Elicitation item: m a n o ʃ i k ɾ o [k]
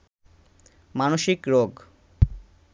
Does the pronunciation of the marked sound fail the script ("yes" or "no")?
yes